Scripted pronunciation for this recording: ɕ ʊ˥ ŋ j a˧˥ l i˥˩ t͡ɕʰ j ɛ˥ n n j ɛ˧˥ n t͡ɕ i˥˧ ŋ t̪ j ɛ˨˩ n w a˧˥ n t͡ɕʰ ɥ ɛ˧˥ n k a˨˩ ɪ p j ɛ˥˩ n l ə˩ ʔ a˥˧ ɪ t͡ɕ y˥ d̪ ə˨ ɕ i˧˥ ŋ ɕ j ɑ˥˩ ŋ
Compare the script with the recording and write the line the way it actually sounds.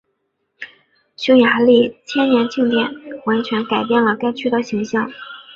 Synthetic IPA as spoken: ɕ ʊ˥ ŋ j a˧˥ l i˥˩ t͡ɕʰ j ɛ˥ n n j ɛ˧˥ n t͡ɕ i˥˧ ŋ t̪ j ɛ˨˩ n w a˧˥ n t͡ɕʰ ɥ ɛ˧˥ n k a˨˩ ɪ p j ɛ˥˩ n l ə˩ k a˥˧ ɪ t͡ɕʰ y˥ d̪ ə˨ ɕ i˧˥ ŋ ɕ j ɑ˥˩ ŋ